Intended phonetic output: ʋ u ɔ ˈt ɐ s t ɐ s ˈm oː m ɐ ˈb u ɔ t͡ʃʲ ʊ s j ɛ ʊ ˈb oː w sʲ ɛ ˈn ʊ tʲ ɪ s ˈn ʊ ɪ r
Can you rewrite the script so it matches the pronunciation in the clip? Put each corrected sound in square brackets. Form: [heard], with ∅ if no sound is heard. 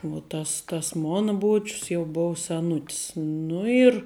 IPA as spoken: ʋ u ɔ ˈt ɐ s t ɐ s ˈm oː [n] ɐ ˈb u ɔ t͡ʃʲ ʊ s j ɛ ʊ ˈb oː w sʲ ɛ ˈn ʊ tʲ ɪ s ˈn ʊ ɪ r